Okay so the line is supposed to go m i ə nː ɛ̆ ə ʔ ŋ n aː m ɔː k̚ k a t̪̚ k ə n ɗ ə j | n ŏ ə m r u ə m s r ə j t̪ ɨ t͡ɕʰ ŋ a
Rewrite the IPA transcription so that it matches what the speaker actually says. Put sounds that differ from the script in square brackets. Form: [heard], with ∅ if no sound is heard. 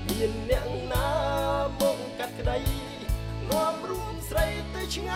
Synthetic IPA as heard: m i ə nː ɛ̆ ə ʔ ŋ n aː m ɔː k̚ k a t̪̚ k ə [∅] ɗ ə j | n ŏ ə m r u ə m s r ə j t̪ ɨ t͡ɕʰ ŋ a